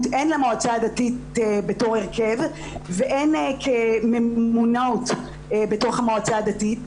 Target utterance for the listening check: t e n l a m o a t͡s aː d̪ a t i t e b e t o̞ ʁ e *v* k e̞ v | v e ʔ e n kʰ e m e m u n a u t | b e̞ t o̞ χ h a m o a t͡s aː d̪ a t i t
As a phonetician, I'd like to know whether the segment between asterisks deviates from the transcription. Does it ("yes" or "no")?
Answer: yes